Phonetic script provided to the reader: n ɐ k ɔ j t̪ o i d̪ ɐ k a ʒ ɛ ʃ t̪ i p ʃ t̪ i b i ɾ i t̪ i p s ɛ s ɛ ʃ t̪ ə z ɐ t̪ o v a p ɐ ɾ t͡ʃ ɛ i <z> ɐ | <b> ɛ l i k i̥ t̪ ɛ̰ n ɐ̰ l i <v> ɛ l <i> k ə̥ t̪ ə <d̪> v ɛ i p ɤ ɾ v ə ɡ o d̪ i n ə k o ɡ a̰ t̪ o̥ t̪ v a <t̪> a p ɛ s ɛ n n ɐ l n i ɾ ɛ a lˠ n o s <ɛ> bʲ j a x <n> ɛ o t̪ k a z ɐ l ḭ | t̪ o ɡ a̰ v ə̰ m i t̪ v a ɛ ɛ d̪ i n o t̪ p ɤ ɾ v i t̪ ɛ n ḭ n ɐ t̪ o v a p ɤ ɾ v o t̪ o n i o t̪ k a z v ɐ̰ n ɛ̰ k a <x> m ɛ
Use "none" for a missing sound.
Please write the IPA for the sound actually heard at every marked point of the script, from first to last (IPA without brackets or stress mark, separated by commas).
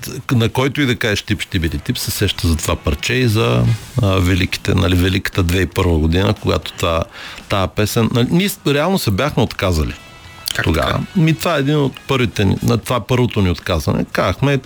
z, v, v, i, d̪, t̪, ɛ, m, x